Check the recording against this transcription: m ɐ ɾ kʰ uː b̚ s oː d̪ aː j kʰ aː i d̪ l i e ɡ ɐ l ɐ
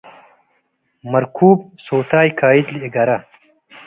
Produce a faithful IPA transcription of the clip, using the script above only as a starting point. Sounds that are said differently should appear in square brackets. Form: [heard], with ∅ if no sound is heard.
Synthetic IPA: m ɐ ɾ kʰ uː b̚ s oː [t̪] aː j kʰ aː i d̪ l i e ɡ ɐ [ɾ] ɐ